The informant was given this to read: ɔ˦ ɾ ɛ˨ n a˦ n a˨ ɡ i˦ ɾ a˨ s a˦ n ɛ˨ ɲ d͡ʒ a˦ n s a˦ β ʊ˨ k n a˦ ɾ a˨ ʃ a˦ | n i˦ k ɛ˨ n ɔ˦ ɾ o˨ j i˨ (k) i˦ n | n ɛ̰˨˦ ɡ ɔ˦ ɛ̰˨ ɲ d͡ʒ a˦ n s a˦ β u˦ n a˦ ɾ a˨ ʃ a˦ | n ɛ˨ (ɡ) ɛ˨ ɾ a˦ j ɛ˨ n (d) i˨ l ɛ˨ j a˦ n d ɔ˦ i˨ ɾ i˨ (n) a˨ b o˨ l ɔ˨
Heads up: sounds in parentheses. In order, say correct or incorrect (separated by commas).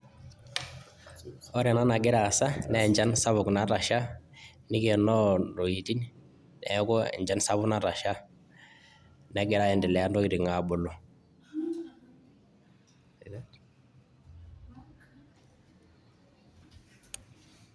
incorrect, correct, correct, incorrect